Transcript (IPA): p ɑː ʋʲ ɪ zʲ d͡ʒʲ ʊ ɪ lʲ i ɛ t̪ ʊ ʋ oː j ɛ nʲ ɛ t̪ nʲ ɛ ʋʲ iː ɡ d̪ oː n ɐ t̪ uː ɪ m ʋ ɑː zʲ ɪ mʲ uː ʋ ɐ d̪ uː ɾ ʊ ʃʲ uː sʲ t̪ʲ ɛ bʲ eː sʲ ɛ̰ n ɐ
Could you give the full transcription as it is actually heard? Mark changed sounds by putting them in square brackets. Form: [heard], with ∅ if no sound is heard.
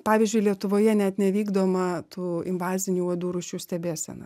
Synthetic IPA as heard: p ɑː ʋʲ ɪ zʲ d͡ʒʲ ʊ ɪ lʲ i ɛ t̪ ʊ ʋ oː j ɛ nʲ ɛ t̪ nʲ ɛ ʋʲ iː ɡ d̪ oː [m] ɐ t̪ uː ɪ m ʋ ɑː zʲ ɪ [nʲ] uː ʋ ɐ d̪ uː ɾ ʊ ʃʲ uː sʲ t̪ʲ ɛ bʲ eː sʲ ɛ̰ n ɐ